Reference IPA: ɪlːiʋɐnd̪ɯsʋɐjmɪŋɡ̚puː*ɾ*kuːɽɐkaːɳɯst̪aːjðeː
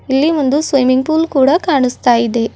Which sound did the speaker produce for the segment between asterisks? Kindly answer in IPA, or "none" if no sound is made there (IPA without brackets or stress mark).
l